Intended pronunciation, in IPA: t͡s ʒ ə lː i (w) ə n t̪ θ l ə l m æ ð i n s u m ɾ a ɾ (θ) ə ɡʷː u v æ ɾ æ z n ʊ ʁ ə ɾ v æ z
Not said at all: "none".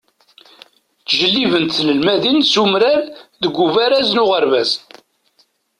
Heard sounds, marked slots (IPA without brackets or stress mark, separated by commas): v, ð